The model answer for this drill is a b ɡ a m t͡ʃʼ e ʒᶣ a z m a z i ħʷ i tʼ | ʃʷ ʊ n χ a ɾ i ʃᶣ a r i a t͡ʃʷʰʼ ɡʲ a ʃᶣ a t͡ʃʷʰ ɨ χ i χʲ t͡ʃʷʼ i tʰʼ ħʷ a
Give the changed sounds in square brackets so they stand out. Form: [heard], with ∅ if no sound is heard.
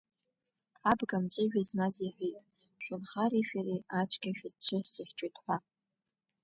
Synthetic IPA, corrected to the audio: a b ɡ a m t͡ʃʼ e ʒᶣ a z m a z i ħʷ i tʼ | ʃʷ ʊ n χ a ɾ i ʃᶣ a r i a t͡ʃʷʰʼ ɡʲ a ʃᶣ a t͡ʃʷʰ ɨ [s] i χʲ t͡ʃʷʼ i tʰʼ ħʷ a

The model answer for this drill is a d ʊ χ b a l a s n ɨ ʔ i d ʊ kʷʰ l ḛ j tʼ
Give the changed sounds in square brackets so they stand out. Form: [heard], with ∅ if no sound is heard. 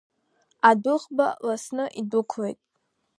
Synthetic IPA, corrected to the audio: a d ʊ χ b a l a s n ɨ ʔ i d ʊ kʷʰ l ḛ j tʼ

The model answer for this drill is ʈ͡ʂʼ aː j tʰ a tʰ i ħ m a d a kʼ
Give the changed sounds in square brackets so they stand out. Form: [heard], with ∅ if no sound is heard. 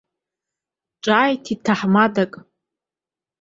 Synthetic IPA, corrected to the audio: ʈ͡ʂʼ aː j tʰ [i] tʰ [a] ħ m a d a kʼ

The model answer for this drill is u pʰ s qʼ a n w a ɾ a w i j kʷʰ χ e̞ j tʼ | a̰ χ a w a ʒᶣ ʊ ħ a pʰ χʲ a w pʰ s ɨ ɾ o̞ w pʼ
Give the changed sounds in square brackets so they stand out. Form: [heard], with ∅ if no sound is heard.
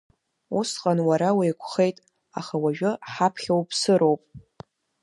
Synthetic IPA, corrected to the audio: u [∅] s qʼ a n w a ɾ a w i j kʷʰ χ e̞ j tʼ | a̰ χ a w a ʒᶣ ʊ ħ a pʰ χʲ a w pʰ s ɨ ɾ o̞ w pʼ

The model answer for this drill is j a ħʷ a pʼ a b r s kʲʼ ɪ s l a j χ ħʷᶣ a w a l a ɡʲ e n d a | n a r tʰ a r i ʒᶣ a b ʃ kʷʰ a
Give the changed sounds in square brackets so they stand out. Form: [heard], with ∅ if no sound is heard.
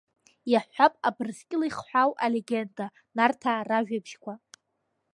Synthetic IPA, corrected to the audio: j a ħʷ a pʼ a b r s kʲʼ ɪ [∅] l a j χ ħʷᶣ a w a l [e] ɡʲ e n d a | n a r tʰ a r [a] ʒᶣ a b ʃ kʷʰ a

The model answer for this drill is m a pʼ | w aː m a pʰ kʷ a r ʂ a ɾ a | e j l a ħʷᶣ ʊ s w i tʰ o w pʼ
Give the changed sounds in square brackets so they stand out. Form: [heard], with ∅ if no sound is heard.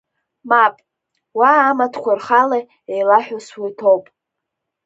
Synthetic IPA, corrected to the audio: m a pʼ | w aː m a [tʰ] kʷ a r [χ] a [l] a | e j l a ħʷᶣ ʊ s w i tʰ o w pʼ

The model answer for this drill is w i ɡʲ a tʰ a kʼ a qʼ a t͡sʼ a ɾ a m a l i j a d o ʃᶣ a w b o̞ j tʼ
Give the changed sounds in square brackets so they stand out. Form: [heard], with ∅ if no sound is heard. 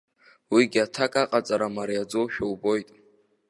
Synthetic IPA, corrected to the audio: w i ɡʲ a tʰ a kʼ a qʼ a t͡sʼ a ɾ a m a [ɾ] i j a [d͡z] o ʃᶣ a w b o̞ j tʼ

